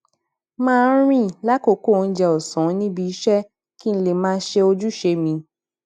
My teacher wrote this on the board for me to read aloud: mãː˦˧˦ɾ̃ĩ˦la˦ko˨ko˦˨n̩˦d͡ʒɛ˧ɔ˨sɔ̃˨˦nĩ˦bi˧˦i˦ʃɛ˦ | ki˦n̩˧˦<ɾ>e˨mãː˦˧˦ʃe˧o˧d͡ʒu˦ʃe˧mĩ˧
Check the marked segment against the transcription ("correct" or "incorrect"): incorrect